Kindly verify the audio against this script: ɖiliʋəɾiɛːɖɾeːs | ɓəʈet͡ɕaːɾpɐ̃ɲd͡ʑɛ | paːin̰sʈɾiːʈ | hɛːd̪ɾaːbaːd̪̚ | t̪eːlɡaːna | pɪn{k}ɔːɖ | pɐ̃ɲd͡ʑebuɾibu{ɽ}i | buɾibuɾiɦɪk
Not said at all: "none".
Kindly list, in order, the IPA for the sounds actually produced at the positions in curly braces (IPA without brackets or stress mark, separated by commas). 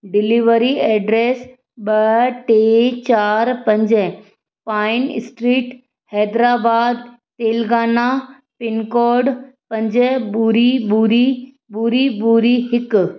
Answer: k, ɾ